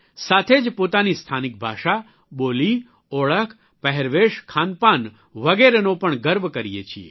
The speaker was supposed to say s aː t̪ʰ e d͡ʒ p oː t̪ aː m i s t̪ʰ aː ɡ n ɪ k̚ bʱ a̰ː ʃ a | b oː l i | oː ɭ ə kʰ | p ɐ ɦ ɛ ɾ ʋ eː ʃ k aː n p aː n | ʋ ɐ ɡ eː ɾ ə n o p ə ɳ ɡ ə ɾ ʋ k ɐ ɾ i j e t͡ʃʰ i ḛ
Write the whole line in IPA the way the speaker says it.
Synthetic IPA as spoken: s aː t̪ʰ e d͡ʒ p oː t̪ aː n i s t̪ʰ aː n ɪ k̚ bʱ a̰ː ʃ a | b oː l i | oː ɭ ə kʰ | p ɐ ɦ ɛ ɾ ʋ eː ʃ kʰ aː n p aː n | ʋ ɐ ɡ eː ɾ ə n o p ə ɳ ɡ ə ɾ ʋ k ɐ ɾ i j e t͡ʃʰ i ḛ